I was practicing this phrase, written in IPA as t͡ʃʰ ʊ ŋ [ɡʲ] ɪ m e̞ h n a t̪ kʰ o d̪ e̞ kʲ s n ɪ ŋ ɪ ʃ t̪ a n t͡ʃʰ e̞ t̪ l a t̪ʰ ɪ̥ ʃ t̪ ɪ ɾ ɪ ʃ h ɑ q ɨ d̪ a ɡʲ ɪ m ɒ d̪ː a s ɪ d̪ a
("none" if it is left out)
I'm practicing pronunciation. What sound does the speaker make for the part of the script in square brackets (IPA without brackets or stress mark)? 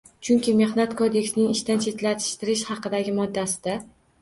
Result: kʲ